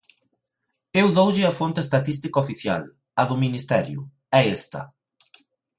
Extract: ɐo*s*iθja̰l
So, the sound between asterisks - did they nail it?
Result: no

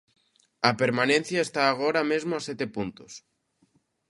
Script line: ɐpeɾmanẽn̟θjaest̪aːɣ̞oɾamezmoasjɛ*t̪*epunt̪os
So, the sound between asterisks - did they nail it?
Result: yes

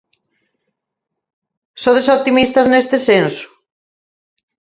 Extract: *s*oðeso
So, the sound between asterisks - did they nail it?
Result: yes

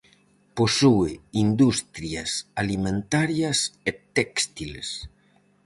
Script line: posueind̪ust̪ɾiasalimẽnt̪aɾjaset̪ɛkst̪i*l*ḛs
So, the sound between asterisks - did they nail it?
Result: yes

